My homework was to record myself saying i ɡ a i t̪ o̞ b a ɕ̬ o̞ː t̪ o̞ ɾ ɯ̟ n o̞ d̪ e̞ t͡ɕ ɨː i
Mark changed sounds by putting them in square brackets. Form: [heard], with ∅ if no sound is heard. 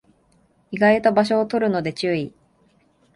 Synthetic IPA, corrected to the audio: i ɡ a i t̪ o̞ b a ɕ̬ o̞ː t̪ o̞ ɾ ɯ̟ n o̞ d̪ e̞ t͡ɕ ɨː i